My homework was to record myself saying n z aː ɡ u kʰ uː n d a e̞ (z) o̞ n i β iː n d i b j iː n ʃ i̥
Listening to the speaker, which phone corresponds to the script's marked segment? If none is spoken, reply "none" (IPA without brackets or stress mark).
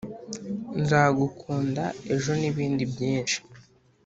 ʒ